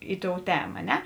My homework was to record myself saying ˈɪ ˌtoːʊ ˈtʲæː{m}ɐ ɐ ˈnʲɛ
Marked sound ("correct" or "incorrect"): correct